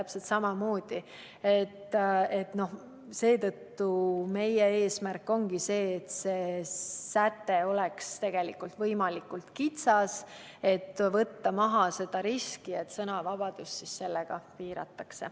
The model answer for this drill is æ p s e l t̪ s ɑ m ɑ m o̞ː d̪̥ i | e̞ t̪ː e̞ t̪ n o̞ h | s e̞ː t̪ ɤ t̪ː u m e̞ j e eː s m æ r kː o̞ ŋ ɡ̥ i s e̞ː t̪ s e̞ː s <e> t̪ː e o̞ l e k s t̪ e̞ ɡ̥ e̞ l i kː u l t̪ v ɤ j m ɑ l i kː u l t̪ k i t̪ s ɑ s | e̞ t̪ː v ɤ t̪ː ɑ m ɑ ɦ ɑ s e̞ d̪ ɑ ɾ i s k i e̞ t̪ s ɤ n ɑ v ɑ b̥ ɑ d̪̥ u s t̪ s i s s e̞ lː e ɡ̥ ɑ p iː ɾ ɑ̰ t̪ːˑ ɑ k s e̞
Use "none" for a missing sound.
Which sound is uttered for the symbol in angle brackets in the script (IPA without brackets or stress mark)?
æ